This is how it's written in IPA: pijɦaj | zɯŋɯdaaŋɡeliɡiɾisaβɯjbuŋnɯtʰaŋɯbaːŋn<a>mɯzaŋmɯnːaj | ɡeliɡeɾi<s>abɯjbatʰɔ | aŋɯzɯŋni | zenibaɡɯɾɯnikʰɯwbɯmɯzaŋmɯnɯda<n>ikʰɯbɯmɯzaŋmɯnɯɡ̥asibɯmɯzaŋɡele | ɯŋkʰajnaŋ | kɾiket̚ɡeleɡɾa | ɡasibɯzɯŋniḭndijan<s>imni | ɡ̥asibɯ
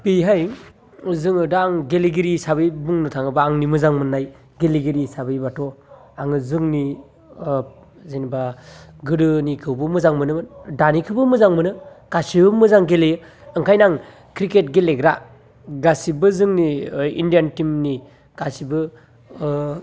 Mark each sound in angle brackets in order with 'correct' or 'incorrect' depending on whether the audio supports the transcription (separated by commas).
incorrect, correct, correct, incorrect